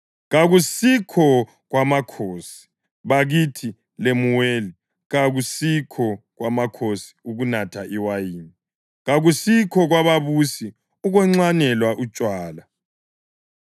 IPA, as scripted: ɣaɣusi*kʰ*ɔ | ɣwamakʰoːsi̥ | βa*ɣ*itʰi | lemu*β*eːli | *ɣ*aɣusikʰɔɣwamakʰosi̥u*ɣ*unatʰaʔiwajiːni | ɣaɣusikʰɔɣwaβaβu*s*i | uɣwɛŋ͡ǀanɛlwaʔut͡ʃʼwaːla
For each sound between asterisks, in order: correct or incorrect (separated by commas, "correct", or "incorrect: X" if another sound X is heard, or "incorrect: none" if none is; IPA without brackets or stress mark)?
correct, correct, incorrect: w, correct, correct, correct